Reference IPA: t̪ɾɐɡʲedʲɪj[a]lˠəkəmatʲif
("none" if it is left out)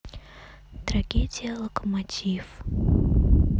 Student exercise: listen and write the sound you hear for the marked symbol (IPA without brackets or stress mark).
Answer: ə